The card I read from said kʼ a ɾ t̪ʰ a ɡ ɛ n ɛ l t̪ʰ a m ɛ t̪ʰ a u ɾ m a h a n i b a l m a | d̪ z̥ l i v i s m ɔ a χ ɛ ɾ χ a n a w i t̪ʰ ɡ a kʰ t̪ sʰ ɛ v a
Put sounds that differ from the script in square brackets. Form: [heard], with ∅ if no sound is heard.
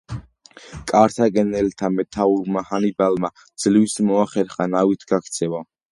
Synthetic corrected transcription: kʼ a ɾ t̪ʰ a ɡ ɛ n ɛ l t̪ʰ a m ɛ t̪ʰ a u ɾ m a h a n i b a l m a | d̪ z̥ l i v i s m ɔ a χ ɛ ɾ χ a n a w i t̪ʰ ɡ a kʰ t̪ sʰ ɛ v a